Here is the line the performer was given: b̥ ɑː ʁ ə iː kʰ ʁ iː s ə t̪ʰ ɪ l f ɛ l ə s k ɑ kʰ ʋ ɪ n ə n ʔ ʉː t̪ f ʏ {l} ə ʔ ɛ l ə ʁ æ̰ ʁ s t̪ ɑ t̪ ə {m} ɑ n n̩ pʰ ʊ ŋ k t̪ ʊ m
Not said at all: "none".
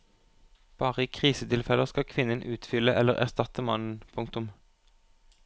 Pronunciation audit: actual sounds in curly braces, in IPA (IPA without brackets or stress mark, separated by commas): l, m